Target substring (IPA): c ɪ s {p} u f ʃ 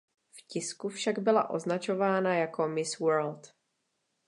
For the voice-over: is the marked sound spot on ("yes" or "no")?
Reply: no